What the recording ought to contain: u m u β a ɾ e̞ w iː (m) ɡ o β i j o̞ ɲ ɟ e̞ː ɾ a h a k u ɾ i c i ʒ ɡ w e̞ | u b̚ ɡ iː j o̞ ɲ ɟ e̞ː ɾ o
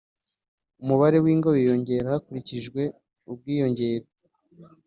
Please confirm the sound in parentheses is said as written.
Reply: no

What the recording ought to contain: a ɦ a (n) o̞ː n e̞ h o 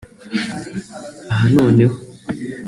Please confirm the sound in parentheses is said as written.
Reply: yes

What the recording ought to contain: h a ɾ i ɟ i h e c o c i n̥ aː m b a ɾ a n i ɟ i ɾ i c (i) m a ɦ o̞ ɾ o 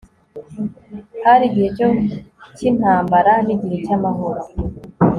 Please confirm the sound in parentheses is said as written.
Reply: no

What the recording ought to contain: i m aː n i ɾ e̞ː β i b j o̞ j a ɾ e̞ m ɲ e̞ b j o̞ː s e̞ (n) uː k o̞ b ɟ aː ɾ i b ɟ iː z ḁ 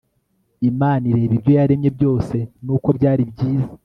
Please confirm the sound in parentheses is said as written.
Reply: yes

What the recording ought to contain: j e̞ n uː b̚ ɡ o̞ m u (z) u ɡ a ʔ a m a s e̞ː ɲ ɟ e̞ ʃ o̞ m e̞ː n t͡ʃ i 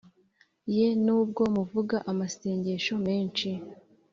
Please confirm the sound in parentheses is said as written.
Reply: no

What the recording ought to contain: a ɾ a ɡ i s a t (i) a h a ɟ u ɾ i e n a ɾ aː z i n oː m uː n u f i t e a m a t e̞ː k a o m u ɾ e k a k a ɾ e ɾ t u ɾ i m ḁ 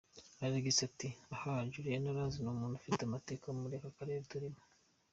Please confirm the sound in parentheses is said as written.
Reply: yes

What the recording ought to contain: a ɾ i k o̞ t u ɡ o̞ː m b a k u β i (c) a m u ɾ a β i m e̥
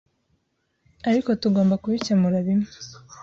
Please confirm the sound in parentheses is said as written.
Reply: yes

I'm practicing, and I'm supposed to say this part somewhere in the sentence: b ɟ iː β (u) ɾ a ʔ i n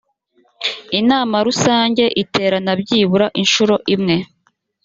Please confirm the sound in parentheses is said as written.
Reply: yes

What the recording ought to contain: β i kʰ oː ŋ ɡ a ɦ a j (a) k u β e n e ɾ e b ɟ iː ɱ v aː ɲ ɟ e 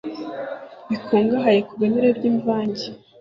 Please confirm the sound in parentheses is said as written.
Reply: no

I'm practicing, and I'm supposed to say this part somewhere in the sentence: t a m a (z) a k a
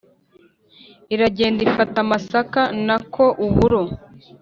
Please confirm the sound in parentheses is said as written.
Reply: no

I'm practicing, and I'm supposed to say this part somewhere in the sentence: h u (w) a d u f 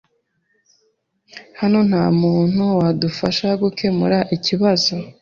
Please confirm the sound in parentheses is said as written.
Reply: yes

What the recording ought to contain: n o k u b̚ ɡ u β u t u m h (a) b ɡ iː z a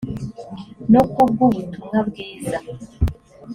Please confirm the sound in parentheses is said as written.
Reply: yes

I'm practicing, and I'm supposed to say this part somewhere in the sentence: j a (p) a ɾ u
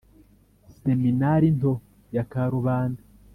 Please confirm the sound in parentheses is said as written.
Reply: no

